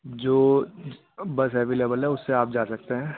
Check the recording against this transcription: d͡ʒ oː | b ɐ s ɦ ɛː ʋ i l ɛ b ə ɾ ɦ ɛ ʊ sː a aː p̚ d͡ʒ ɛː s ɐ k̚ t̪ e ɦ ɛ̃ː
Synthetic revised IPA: d͡ʒ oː | b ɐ s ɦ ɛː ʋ i l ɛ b ə l ɦ ɛ ʊ sː e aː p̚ d͡ʒ aː s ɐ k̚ t̪ e ɦ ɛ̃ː